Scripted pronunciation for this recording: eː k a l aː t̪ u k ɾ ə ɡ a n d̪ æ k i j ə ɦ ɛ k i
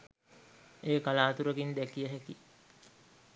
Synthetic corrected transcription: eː k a l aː t̪ u ɾ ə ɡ i n d̪ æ k i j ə ɦ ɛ k i